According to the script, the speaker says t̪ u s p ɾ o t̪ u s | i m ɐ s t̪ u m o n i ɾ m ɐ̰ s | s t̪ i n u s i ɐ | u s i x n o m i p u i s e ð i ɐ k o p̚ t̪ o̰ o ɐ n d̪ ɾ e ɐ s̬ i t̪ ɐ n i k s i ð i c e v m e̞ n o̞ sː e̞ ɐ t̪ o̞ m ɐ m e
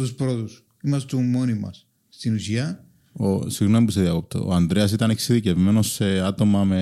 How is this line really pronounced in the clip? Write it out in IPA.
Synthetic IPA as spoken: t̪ u s p ɾ o t̪ u s | i m ɐ s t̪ u m o n i m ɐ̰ s | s t̪ i n u s i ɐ | o s i ɣ n o m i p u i s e ð i ɐ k o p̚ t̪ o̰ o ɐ n d̪ ɾ e ɐ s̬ i t̪ ɐ n e k s i ð i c e v m e̞ n o̞ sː e̞ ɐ t̪ o̞ m ɐ m e